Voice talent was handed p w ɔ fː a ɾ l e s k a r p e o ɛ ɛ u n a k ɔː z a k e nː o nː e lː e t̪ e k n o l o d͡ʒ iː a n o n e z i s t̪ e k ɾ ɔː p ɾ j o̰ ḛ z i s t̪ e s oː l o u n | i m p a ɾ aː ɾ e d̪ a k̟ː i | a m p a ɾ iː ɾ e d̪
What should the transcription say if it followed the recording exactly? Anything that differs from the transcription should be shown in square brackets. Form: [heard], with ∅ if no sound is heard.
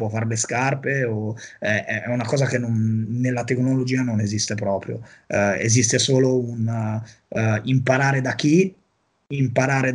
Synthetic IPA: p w ɔ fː a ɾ l e s k a r p e o ɛ ɛ u n a k ɔː z a k e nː o nː e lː [a] t̪ e k n o l o d͡ʒ iː a n o n e z i s t̪ e [p] ɾ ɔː p ɾ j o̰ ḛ z i s t̪ e s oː l o u n | i m p a ɾ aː ɾ e d̪ a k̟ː i | [i] m p a ɾ [aː] ɾ e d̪